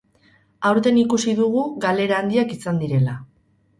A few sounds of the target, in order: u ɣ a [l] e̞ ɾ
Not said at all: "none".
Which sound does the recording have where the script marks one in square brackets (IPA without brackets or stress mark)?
l